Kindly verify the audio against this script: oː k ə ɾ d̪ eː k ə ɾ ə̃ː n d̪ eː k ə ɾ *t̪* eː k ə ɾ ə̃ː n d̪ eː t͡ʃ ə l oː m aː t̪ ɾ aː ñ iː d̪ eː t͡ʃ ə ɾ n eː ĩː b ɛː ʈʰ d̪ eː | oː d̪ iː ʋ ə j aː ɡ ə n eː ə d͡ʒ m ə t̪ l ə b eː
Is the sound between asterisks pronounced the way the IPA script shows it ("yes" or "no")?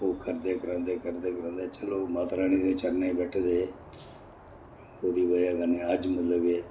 no